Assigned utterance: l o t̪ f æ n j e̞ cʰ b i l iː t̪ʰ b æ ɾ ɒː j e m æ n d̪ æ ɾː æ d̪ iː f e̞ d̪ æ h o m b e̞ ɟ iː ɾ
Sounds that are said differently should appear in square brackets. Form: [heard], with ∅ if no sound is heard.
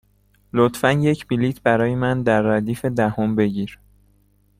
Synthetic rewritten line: l o t̪ f æ n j e̞ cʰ b i l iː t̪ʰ b æ ɾ ɒː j e m æ n d̪ æ ɾː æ d̪ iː f e̞ d̪ æ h o m b e̞ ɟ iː ɾ